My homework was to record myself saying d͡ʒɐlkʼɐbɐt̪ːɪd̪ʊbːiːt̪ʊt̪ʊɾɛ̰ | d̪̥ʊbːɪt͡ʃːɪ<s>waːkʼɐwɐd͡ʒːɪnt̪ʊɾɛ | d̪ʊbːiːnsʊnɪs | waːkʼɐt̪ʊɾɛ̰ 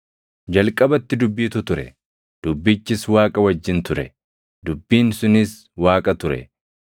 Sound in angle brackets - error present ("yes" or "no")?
no